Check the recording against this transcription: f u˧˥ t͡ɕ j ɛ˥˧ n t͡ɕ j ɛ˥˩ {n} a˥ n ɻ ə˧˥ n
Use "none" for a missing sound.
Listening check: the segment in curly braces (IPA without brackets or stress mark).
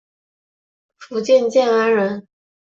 n